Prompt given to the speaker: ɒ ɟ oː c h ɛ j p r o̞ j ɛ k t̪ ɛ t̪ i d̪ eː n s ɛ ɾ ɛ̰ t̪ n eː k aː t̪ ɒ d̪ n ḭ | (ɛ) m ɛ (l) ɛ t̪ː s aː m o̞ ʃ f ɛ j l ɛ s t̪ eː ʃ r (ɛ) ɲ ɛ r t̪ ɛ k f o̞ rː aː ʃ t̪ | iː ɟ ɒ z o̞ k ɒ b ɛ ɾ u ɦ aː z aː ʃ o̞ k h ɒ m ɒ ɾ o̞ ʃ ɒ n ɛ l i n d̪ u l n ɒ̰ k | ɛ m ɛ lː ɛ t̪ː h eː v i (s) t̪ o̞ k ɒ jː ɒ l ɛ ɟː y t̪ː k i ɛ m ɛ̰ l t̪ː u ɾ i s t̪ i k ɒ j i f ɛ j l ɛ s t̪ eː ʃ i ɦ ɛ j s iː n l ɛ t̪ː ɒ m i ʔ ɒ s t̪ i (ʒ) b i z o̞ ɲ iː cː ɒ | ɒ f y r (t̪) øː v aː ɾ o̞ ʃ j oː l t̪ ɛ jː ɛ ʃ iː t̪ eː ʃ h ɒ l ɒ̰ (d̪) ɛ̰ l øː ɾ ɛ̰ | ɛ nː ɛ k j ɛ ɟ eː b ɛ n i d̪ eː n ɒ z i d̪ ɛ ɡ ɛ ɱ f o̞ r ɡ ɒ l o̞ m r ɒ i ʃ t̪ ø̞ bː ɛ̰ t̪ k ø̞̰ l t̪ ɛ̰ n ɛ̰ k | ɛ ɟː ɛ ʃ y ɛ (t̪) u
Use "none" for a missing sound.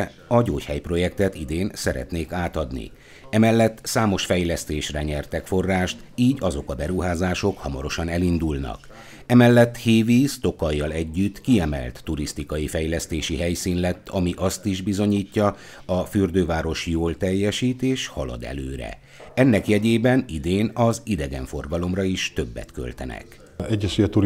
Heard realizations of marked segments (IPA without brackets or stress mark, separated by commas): ɛ, lː, ɛ, s, ʒ, d̪, d̪, t̪